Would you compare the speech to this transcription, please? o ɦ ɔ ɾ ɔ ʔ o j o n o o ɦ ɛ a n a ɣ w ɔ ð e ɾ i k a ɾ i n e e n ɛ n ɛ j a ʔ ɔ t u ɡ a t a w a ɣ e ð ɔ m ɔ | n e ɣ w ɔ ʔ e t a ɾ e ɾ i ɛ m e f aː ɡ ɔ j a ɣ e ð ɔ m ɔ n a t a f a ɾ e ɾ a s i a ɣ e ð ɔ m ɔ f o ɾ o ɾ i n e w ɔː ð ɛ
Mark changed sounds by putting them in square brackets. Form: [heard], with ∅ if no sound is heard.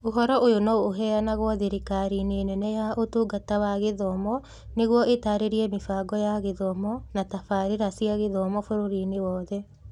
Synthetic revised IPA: o ɦ ɔ ɾ ɔ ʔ o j o n o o ɦ ɛ a n a ɣ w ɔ ð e ɾ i k a ɾ i n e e n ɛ n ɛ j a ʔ [o] t u ɡ a t a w a ɣ e ð ɔ m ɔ | n e ɣ w ɔ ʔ e t a ɾ e ɾ i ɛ m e f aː ɡ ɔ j a ɣ e ð ɔ m ɔ n a t a f a ɾ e ɾ a s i a ɣ e ð ɔ m ɔ f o ɾ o ɾ i n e w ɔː ð ɛ